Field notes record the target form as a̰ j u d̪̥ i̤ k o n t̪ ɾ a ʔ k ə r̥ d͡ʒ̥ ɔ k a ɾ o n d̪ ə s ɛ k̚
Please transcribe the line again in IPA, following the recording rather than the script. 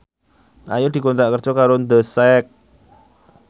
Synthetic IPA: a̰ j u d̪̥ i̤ k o n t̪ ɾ a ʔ k ə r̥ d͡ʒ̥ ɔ k a ɾ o n d̪ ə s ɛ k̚